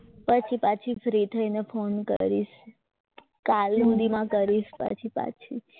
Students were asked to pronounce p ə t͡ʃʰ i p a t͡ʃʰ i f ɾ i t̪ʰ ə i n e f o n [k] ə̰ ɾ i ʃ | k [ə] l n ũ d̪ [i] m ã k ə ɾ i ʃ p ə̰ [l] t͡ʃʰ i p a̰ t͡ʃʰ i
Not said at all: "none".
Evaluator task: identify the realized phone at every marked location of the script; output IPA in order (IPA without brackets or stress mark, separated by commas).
k, a, i, none